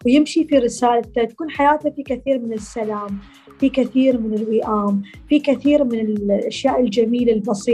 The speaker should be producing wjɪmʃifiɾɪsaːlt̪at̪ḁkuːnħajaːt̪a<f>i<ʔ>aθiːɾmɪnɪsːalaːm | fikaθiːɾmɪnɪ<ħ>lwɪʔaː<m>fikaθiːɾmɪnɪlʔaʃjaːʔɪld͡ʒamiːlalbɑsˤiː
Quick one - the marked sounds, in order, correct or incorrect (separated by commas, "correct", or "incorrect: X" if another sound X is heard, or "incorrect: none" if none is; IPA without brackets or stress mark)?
correct, incorrect: k, incorrect: none, correct